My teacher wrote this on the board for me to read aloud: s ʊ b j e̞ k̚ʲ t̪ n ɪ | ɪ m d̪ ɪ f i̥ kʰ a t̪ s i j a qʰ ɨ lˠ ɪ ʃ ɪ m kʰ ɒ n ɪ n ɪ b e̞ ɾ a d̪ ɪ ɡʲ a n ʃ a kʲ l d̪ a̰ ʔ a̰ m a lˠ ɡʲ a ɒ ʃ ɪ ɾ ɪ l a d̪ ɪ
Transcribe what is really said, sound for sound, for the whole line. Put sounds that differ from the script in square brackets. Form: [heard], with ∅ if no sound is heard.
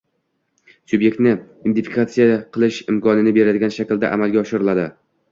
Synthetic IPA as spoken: s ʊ b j e̞ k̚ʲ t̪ n ɪ | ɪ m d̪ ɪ f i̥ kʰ a t̪ s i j a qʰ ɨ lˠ ɪ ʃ ɪ m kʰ ɒ n ɪ n ɪ b e̞ ɾ a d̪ ɪ ɡʲ a n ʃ a kʲ l d̪ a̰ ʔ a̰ m a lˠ ɡʲ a ɒ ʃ ɪ ɾ ɪ l a d̪ ɪ